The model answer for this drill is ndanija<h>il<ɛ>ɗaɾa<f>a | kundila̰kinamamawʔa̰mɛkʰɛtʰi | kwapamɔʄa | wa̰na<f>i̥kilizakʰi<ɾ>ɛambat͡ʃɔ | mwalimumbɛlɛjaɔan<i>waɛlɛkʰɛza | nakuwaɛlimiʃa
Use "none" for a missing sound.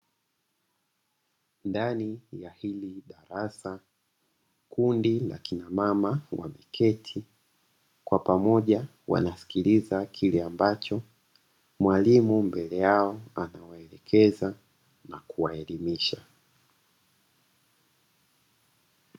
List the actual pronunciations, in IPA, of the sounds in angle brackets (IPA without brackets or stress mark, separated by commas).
h, i, s, s, l, a